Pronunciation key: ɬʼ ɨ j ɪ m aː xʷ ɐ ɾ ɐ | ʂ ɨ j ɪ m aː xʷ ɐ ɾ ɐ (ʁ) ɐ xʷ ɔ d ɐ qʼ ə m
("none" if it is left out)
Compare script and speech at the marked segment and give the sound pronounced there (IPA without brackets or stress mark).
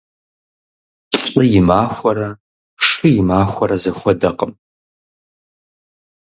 z